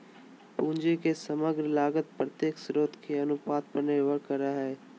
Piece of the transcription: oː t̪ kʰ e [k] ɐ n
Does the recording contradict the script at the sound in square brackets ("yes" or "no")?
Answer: yes